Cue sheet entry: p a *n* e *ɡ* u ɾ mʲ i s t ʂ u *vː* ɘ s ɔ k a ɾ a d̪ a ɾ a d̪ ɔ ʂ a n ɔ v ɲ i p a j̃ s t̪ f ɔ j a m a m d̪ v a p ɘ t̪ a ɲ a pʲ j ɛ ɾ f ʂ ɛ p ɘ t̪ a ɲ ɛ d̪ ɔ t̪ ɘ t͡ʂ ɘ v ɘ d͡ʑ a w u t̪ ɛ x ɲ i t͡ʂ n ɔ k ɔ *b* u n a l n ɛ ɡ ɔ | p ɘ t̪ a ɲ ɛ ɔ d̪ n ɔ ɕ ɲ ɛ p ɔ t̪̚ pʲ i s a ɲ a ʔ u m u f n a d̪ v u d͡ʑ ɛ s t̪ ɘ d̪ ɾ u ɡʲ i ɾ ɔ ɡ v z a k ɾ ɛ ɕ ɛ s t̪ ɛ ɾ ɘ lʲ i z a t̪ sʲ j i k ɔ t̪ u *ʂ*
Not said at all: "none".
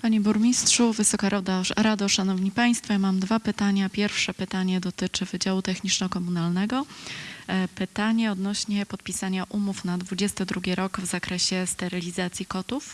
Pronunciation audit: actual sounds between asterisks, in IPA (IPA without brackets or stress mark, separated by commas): ɲ, b, v, m, f